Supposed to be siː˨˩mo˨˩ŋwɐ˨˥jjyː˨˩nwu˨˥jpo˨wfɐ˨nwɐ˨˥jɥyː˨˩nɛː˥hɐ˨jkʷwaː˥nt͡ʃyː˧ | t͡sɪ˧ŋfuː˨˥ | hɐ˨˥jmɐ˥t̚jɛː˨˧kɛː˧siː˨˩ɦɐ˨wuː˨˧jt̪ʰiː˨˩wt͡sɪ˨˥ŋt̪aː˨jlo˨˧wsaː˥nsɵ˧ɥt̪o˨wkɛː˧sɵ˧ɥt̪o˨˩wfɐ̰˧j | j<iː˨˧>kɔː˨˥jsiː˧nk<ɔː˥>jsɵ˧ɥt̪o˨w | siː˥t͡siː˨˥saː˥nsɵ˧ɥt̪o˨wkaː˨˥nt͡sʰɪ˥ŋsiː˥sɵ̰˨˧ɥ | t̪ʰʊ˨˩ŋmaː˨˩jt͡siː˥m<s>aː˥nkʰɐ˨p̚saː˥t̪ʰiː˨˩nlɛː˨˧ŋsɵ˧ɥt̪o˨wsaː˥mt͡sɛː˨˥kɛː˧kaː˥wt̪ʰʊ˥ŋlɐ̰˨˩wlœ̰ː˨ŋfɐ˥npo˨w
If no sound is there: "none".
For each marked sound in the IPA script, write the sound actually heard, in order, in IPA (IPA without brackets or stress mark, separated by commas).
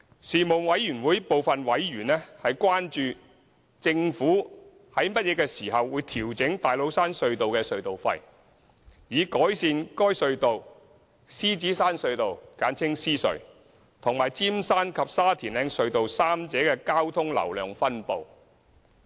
iː˨˧, ɔː˥, s